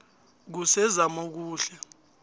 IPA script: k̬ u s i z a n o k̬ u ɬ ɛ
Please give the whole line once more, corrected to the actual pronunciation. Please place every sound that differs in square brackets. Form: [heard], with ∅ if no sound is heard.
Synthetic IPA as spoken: k̬ u s [ɛ] z a [m] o k̬ [uː] ɬ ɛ